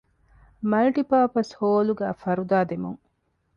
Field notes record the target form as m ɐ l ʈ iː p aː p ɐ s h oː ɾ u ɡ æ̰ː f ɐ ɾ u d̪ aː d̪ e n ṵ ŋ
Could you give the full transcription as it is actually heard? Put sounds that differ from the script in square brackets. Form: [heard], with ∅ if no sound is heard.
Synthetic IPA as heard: m ɐ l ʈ [i] p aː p ɐ s h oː [l] u ɡ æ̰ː f ɐ ɾ u d̪ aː d̪ e [m] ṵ ŋ